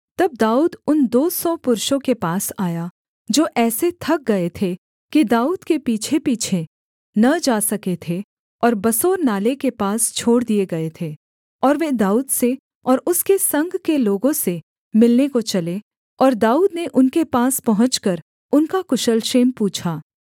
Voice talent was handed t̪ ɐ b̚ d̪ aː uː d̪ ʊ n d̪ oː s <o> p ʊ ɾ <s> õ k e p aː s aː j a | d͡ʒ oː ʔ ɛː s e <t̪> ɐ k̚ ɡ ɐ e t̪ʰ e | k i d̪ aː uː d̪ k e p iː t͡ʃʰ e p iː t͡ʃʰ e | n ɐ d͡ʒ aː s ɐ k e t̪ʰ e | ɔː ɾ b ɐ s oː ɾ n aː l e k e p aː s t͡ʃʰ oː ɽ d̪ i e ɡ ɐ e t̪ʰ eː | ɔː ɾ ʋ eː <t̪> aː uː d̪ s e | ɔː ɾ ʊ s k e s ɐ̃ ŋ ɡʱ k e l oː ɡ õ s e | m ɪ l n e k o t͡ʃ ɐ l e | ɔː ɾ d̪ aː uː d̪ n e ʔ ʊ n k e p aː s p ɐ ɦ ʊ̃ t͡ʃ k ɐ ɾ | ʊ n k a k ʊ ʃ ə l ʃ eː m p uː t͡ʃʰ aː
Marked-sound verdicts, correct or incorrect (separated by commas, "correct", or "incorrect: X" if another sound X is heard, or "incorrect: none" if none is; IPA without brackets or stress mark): incorrect: ɔ, incorrect: ʃ, incorrect: t̪ʰ, incorrect: d̪